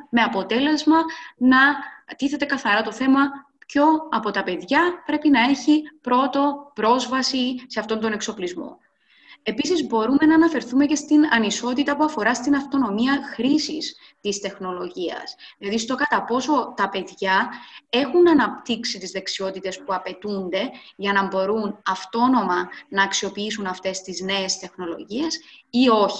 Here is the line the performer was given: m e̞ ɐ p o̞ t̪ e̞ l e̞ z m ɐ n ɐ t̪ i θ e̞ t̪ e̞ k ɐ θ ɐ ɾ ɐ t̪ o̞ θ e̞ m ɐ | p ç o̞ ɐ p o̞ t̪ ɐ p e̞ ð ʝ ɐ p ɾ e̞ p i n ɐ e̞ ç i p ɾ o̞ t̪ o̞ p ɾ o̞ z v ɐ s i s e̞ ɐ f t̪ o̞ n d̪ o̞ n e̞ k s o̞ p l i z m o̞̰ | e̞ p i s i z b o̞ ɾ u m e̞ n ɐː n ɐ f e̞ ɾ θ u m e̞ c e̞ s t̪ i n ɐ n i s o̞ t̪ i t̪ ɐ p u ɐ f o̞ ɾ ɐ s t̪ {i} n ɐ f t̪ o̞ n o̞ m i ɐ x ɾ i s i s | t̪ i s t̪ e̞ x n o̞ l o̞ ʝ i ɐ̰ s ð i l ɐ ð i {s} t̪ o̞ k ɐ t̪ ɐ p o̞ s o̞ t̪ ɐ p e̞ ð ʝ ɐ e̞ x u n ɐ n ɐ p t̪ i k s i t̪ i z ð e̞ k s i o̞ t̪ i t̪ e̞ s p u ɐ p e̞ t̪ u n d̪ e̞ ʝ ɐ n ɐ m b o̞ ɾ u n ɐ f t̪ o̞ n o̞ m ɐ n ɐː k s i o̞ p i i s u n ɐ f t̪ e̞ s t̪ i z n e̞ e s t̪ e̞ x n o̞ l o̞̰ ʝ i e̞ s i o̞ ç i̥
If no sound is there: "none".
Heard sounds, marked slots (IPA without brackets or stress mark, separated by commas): i, s